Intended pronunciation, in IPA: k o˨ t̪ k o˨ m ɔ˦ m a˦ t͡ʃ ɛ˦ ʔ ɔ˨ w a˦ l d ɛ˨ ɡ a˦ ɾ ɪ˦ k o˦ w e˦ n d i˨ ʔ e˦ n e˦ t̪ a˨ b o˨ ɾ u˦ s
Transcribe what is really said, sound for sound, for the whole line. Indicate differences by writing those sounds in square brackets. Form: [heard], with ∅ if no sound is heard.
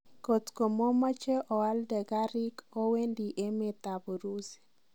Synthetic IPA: k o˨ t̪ k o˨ m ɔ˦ m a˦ t͡ʃ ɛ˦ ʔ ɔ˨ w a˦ l d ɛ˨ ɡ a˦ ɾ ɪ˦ k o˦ w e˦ n d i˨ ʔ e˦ [m] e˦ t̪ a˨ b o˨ ɾ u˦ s